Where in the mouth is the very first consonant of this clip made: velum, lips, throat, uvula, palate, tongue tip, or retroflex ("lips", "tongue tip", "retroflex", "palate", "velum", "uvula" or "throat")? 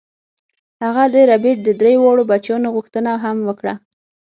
throat